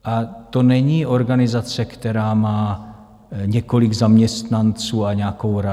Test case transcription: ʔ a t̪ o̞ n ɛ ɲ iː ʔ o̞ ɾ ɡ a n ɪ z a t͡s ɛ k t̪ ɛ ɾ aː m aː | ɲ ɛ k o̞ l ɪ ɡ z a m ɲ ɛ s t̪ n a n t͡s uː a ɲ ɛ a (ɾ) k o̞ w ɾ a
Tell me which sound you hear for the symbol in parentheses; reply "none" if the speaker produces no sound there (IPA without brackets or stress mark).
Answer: none